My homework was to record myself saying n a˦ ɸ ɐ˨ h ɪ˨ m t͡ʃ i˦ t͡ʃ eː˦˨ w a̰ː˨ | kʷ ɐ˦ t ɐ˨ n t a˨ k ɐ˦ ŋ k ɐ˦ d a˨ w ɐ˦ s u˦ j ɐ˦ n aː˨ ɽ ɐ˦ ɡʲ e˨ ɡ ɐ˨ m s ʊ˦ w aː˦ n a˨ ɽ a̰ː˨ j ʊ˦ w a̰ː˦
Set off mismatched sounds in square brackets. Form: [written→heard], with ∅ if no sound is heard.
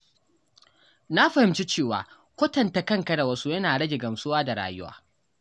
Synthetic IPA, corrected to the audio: n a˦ ɸ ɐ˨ h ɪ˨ m t͡ʃ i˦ t͡ʃ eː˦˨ w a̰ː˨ | kʷ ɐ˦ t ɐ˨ n t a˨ k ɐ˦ ŋ k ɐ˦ d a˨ w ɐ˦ s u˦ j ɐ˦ n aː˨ ɽ ɐ˦ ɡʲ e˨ ɡ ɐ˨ m s ʊ˦ w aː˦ [n→d] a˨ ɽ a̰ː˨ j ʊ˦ w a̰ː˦